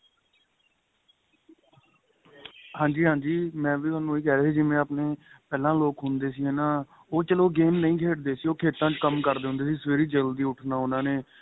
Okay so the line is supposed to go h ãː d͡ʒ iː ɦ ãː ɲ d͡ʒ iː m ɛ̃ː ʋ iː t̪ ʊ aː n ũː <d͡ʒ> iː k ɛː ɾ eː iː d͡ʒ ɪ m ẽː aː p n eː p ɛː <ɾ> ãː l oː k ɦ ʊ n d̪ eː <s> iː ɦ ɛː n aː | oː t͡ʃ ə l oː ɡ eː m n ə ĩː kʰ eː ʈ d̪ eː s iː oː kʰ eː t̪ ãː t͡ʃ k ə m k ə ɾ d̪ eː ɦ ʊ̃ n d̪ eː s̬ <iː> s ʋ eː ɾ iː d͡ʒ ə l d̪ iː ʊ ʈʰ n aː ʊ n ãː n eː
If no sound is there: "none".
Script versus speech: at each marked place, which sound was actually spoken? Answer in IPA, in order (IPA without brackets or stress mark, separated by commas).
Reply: none, l, s, iː